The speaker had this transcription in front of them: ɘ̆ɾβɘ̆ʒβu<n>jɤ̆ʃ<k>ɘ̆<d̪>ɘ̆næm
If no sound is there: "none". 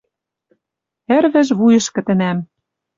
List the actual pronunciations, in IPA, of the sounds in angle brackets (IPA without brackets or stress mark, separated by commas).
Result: none, k, t̪